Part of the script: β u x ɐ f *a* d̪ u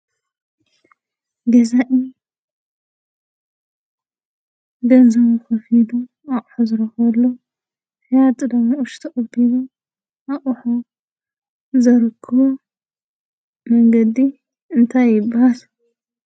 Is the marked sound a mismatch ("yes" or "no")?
yes